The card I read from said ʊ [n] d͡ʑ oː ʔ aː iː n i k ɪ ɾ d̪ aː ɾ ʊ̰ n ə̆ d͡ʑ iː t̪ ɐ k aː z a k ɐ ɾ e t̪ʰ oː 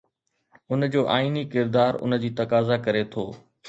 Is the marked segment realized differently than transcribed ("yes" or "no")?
no